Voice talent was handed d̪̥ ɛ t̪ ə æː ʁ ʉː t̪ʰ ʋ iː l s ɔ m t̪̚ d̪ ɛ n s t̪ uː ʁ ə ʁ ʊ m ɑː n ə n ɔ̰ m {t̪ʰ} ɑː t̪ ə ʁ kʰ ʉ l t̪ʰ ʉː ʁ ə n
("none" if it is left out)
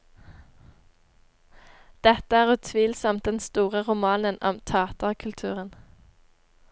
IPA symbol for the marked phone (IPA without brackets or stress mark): t̪ʰ